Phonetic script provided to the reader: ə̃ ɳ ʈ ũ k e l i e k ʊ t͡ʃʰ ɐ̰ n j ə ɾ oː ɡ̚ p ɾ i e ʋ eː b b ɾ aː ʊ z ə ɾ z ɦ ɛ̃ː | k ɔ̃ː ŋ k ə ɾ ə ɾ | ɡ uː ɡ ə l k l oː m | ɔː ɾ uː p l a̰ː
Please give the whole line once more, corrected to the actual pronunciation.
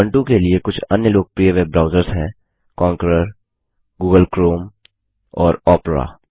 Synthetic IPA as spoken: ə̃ ɳ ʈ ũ k e l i e k ʊ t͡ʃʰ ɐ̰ n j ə l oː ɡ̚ p ɾ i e ʋ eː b b ɾ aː ʊ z ə ɾ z ɦ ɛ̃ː | k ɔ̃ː ŋ k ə ɾ ə ɾ | ɡ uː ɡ ə l k ɾ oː m | ɔː ɾ ɔː p ɾ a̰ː